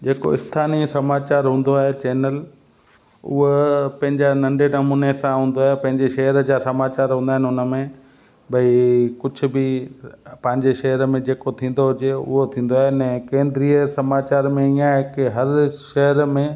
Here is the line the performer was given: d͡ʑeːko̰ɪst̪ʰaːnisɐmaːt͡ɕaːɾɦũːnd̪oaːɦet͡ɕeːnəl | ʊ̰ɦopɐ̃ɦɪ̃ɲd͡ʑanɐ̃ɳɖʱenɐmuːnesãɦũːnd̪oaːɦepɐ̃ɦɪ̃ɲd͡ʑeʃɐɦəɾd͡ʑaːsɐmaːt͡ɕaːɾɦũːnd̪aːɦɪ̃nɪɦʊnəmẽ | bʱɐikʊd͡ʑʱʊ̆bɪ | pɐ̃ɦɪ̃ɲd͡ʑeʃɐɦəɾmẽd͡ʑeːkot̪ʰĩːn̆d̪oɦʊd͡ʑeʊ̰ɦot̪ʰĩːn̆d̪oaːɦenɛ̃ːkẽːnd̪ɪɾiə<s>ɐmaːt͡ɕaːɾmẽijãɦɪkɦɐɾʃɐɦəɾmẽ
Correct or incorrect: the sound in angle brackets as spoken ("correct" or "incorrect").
correct